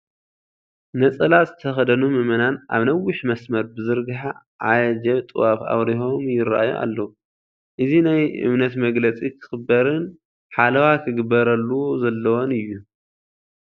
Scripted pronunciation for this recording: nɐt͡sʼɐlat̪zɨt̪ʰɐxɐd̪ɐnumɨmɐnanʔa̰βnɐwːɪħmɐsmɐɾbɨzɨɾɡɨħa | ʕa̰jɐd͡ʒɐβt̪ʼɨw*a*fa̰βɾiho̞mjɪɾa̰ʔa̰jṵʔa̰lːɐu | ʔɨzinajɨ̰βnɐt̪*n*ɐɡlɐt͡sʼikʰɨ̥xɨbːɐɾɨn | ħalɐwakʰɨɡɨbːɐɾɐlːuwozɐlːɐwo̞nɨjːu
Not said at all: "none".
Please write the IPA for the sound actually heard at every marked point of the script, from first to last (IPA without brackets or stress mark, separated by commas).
a, m